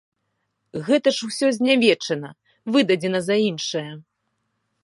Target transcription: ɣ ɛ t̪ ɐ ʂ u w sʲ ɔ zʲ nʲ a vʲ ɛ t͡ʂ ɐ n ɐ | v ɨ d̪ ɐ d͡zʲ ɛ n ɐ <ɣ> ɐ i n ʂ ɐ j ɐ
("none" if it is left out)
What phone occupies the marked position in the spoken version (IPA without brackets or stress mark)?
z